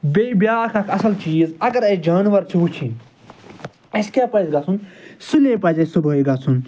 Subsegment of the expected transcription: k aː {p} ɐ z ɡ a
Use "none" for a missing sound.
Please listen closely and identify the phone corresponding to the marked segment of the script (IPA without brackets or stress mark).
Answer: p